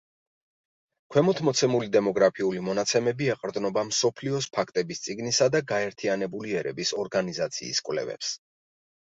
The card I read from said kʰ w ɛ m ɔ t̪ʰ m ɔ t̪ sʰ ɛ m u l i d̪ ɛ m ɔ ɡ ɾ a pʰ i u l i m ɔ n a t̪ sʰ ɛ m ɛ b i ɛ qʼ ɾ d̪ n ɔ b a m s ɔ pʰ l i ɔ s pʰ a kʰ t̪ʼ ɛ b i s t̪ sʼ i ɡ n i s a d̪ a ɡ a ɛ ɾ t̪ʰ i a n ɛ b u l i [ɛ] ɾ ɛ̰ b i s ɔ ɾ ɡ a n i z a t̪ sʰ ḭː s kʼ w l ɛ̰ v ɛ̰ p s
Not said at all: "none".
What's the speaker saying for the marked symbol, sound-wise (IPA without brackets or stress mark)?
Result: ɛ